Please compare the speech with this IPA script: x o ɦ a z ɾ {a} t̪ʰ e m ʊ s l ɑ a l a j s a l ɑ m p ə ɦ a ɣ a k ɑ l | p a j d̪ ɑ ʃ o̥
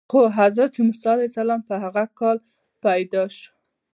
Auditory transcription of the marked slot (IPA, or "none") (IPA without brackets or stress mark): a